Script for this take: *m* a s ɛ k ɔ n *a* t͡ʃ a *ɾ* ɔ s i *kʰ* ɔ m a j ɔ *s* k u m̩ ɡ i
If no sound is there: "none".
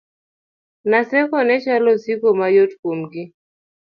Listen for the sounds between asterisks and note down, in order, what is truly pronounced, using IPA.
n, ɛ, l, k, t

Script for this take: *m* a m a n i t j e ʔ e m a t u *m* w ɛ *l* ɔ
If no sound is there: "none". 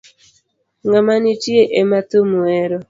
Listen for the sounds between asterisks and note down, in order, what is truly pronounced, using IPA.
ŋ, m, ɾ

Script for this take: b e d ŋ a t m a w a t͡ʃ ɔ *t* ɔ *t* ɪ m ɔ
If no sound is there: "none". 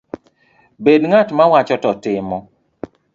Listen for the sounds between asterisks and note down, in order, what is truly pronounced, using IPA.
t, t

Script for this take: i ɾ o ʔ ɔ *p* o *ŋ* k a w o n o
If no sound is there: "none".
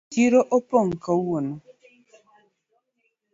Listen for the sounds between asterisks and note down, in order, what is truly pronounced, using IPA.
p, ŋ

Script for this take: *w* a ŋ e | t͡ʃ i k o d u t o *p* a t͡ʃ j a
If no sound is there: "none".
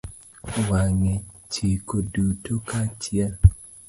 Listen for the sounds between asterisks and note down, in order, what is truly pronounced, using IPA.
w, k

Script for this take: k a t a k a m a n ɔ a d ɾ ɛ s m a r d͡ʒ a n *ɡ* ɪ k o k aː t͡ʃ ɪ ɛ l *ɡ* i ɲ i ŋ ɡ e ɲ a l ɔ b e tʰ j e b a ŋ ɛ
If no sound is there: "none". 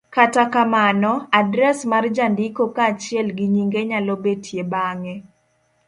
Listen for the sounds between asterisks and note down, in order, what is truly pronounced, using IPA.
d, ɡ

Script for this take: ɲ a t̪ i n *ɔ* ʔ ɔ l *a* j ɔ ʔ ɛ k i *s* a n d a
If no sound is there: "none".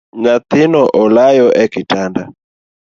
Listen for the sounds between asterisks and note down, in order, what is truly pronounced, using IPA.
ɔ, a, t

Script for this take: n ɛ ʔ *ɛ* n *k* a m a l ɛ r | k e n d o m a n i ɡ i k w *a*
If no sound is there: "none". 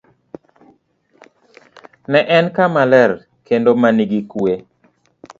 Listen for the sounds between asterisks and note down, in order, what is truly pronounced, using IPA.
ɛ, k, e

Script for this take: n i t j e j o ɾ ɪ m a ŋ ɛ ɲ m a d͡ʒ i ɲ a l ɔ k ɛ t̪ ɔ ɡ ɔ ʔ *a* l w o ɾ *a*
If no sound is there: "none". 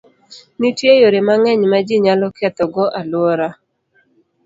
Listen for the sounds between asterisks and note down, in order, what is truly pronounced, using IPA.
a, a

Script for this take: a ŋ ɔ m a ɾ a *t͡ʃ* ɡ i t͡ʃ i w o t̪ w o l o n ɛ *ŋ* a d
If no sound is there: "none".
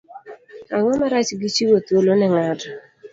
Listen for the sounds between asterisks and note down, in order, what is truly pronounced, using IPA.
t͡ʃ, ŋ

